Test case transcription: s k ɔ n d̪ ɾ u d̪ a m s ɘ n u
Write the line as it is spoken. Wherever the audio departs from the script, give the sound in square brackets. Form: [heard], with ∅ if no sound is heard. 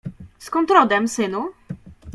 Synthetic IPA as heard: s k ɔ n [t̪] ɾ [ɔ] d̪ [ɛ] m s ɘ n u